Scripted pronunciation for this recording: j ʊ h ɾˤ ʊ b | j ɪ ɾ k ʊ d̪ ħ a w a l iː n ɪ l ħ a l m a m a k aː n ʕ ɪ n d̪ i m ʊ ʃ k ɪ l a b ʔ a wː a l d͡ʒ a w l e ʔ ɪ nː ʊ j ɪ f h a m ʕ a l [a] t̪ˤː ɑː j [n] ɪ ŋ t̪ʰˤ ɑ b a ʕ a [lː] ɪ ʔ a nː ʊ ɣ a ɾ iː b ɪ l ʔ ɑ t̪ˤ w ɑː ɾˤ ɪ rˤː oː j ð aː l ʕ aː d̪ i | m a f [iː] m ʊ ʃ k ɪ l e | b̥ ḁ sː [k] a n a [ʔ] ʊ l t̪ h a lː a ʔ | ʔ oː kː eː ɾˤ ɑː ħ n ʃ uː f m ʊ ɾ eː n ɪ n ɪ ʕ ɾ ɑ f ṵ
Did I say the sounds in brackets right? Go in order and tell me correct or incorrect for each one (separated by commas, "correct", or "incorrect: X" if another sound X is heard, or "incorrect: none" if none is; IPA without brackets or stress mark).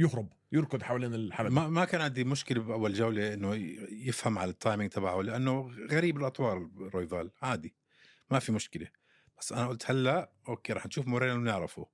correct, incorrect: m, incorrect: l, incorrect: i, incorrect: ʔ, correct